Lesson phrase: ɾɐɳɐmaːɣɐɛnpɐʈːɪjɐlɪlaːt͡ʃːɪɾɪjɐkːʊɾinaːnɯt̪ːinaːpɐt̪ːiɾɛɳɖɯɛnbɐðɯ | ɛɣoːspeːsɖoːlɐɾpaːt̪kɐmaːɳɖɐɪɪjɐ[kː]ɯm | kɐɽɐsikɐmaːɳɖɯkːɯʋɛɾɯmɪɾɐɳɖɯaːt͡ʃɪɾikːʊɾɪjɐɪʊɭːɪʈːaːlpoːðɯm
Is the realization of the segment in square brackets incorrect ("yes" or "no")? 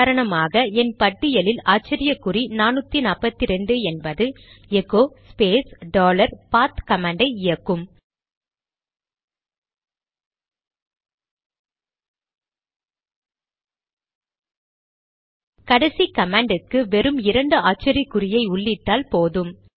no